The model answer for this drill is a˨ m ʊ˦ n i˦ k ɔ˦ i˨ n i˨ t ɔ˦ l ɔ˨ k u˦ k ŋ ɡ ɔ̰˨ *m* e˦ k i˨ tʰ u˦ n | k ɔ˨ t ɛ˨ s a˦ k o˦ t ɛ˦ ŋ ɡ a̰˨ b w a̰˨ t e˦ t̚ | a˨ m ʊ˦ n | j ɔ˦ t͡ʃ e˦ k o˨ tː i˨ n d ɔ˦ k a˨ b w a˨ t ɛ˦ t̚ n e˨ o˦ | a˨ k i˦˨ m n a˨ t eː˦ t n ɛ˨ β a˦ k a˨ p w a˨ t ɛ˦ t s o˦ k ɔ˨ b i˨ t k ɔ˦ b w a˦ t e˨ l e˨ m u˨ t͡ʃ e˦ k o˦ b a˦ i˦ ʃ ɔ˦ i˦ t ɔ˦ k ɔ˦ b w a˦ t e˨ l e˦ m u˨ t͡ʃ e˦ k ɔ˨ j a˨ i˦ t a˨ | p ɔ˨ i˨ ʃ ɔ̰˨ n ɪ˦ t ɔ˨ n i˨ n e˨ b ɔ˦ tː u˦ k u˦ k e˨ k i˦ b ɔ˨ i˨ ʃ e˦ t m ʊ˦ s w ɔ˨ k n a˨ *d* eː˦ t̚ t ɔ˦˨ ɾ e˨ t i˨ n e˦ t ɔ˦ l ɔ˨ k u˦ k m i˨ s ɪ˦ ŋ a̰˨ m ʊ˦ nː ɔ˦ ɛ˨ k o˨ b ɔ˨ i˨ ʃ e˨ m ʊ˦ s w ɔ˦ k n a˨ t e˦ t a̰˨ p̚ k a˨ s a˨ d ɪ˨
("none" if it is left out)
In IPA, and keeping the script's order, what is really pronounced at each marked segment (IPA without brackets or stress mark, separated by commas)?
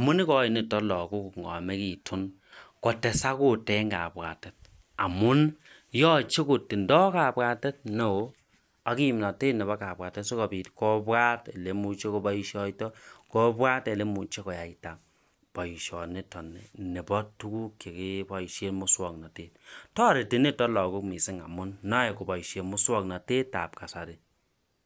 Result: m, t